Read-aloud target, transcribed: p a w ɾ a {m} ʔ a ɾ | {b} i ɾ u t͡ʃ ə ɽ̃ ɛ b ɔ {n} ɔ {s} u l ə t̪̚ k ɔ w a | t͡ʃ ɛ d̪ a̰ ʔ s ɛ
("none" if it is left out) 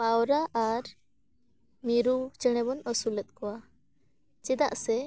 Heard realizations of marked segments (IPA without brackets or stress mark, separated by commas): none, m, n, s